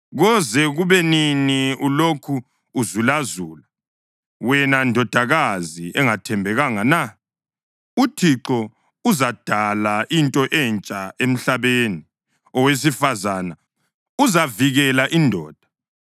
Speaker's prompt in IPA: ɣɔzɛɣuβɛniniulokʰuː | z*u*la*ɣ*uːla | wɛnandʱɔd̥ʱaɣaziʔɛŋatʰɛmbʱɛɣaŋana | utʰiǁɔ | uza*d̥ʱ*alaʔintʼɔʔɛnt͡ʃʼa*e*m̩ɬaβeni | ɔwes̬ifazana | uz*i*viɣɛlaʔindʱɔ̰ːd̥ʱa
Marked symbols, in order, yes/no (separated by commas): yes, no, yes, yes, no